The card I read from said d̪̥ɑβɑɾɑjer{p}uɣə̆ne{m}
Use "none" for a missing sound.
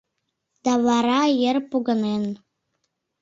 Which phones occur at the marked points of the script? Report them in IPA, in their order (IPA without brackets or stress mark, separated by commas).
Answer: p, n